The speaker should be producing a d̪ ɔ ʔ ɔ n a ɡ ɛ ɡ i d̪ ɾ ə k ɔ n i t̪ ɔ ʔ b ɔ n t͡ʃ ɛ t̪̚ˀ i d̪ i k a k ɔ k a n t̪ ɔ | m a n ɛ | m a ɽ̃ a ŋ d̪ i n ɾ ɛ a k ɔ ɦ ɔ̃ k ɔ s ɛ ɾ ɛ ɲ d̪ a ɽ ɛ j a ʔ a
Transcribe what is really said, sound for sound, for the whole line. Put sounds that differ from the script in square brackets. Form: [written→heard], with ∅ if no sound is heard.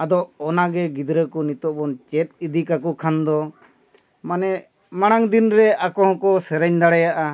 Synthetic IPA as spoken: a d̪ ɔ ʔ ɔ n a ɡ ɛ ɡ i d̪ ɾ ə k ɔ n i t̪ ɔ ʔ b ɔ n t͡ʃ ɛ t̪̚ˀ i d̪ i k a k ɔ [k→kʰ] a n [t̪→d̪] ɔ | m a n ɛ | m a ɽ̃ a ŋ d̪ i n ɾ ɛ a k ɔ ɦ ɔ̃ k ɔ s ɛ ɾ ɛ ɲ d̪ a ɽ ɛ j a ʔ a

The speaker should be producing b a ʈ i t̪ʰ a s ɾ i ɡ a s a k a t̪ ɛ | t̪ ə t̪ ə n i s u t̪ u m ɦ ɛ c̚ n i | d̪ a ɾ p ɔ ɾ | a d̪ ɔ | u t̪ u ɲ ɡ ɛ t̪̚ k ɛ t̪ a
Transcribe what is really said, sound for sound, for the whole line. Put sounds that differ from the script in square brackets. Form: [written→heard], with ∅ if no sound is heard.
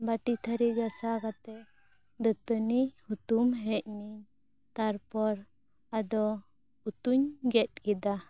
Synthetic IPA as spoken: b a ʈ i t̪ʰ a [s→∅] ɾ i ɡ a s a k a t̪ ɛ | [t̪→d̪] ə t̪ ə n i [s→h] u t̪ u m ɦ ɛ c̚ n i | [d̪→t̪] a ɾ p ɔ ɾ | a d̪ ɔ | u t̪ u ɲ ɡ ɛ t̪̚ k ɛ [t̪→d̪] a

